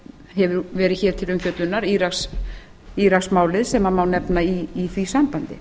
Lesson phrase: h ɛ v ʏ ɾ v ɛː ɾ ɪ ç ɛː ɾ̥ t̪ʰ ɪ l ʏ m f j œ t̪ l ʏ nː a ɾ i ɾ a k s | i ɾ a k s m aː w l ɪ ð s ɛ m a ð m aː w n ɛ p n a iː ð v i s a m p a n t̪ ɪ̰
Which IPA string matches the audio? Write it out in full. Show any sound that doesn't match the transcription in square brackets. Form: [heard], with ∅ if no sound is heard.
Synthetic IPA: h ɛ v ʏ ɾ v ɛː ɾ ɪ ç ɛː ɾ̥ t̪ʰ ɪ l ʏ m f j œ t̪ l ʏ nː a ɾ i ɾ a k s | i ɾ a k s m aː w l ɪ ð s ɛ m a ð m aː w n ɛ p n a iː [θ] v i s a m p a n t̪ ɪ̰